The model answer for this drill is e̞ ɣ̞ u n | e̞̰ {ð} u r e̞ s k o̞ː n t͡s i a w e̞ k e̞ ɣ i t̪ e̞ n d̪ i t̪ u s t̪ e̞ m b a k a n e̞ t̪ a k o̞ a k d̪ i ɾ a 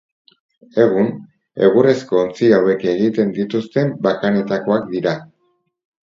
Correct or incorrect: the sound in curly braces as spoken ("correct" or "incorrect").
incorrect